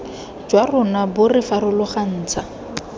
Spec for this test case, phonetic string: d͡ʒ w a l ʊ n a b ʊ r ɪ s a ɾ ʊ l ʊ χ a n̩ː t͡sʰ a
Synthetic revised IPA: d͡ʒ w a r ʊ n a b ʊ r ɪ f a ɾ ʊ l ʊ χ a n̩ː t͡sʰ a